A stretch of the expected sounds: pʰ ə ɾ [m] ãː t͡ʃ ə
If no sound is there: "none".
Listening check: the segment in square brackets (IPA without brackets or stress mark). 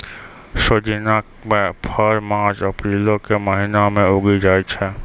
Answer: m